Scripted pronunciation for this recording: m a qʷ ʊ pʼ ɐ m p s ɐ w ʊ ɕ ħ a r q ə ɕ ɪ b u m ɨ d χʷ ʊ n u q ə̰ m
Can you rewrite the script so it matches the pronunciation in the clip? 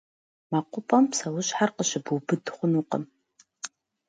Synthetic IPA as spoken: m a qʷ ʊ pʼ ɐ m p s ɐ w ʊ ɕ ħ a r q ə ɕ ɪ b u b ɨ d χʷ ʊ n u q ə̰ m